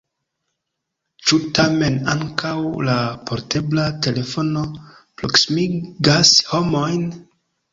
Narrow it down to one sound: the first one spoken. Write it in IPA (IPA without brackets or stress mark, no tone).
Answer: t͡ʃ